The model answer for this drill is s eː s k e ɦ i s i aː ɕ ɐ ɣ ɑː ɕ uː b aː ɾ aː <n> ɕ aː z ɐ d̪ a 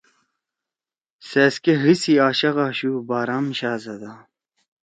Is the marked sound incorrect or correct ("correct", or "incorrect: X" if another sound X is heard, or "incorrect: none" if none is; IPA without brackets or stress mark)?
incorrect: m